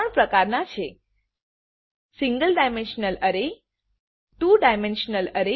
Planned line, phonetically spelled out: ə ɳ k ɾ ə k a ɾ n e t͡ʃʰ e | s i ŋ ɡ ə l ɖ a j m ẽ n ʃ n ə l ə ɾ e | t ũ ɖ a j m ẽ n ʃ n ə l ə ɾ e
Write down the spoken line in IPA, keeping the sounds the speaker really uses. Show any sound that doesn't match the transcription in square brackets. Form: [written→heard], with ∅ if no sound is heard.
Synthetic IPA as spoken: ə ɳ [k→p] ɾ ə k a ɾ n [e→a] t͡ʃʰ e | s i ŋ ɡ ə l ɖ a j m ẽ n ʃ n ə l ə ɾ e | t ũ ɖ a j m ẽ n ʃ n ə l ə ɾ e